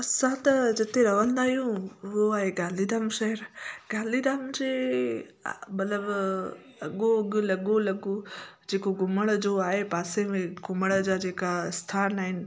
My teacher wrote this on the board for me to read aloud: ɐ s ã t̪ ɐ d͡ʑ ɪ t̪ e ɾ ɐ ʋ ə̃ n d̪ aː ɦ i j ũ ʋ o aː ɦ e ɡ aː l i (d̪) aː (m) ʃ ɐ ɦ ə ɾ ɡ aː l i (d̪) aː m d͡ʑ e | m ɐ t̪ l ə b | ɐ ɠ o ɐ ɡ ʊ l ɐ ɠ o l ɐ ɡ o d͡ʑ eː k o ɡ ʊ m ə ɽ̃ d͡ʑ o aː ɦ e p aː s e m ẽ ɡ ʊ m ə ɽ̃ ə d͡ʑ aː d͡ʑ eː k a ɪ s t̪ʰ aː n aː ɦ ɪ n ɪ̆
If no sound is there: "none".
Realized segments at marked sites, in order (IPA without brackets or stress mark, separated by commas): d̪, m, d̪